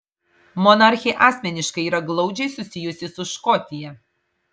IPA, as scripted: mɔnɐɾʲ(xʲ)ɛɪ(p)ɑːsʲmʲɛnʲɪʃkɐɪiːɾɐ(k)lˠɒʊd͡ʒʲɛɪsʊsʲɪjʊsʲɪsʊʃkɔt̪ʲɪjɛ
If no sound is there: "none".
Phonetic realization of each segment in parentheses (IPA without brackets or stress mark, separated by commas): xʲ, ʔ, ɡ